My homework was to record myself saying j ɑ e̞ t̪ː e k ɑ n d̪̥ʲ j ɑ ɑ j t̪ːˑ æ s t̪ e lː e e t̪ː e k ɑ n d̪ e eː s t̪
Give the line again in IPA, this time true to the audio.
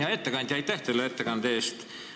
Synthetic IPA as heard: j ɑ e̞ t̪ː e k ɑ n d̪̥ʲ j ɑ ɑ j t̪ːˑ æ h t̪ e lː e e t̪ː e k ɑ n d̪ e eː s t̪